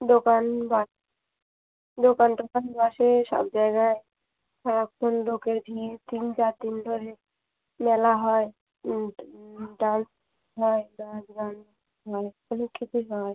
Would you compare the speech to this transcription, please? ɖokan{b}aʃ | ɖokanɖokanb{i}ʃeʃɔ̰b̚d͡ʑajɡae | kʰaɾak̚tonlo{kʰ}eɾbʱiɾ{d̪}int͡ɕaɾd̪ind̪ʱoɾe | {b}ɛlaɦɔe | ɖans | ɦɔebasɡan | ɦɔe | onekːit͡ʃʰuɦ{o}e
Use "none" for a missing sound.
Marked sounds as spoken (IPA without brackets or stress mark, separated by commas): b, a, k, t̪, m, ɔ